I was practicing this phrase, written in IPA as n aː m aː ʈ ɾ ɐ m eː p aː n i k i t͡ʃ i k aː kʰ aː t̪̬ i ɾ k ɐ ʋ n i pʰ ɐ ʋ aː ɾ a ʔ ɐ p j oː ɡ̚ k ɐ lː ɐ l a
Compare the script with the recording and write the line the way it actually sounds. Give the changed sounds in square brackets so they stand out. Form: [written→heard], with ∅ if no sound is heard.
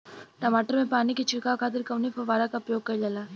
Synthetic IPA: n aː m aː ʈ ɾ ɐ m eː p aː n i k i t͡ʃ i k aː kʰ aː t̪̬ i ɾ k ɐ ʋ n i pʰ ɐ ʋ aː ɾ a [ʔ→k] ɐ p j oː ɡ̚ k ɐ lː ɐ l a